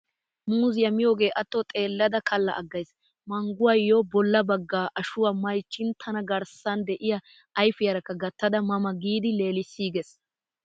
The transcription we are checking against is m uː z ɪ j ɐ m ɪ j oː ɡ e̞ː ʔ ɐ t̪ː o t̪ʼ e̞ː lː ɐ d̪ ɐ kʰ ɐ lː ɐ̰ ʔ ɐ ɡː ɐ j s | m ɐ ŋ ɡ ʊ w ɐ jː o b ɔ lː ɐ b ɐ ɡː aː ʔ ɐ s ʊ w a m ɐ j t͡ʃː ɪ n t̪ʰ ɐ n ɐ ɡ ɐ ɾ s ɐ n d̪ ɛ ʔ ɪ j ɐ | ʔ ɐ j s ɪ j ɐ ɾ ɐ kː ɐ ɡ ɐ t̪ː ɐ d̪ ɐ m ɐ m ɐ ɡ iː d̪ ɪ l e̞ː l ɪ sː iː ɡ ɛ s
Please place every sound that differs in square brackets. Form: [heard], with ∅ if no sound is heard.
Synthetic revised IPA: m uː z ɪ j ɐ m ɪ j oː ɡ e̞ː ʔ ɐ t̪ː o t̪ʼ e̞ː lː ɐ d̪ ɐ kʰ ɐ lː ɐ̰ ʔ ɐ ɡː ɐ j s | m ɐ ŋ ɡ ʊ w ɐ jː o b ɔ lː ɐ b ɐ ɡː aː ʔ ɐ [ʃ] ʊ w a m ɐ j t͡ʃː ɪ n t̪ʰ ɐ n ɐ ɡ ɐ ɾ s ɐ n d̪ ɛ ʔ ɪ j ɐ | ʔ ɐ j [f] ɪ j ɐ ɾ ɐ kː ɐ ɡ ɐ t̪ː ɐ d̪ ɐ m ɐ m ɐ ɡ iː d̪ ɪ l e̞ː l ɪ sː iː ɡ ɛ s